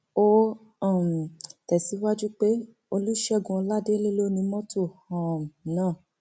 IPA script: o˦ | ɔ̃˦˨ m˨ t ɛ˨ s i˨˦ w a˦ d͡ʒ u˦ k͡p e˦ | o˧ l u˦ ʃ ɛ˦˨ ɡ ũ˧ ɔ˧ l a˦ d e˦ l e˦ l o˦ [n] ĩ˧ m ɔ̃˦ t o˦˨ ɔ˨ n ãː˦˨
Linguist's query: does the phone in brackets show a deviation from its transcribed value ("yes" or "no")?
no